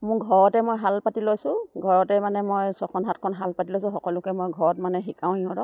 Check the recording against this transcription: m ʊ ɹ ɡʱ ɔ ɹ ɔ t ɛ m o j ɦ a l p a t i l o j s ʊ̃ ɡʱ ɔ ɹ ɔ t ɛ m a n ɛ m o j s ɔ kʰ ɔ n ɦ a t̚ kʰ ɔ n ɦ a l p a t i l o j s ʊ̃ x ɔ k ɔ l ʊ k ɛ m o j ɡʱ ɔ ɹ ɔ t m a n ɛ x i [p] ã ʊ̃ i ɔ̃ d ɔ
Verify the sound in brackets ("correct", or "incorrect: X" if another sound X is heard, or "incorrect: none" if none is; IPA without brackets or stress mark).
incorrect: k